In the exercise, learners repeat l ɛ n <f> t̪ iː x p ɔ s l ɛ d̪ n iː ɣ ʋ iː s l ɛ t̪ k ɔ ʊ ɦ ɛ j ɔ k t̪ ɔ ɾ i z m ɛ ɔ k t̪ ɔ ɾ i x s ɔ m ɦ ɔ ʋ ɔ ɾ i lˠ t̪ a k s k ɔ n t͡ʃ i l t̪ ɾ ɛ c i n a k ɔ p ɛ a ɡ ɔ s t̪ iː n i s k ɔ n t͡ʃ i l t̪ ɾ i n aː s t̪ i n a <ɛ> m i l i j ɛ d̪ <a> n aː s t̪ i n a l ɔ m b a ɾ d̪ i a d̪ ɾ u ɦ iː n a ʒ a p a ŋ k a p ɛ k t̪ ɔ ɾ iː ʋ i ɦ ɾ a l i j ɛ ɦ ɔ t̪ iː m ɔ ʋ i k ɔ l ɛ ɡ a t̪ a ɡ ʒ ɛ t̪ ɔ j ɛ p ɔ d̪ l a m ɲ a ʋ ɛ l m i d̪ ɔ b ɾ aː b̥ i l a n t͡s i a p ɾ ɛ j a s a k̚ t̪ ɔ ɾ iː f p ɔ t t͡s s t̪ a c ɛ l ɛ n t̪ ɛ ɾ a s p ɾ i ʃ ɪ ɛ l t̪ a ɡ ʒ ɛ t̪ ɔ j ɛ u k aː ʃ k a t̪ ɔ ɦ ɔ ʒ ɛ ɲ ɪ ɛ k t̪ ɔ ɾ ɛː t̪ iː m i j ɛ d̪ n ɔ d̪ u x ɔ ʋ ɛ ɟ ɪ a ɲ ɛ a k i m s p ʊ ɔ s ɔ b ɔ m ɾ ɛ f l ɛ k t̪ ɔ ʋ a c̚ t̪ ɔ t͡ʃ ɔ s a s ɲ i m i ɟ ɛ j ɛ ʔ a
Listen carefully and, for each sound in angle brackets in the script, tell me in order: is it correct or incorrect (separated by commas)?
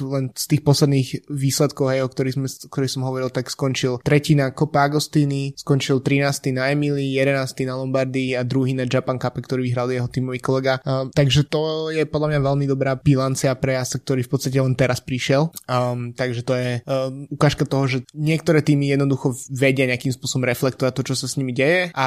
incorrect, correct, incorrect